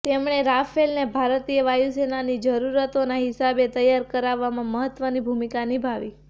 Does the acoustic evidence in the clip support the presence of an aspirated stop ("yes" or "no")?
no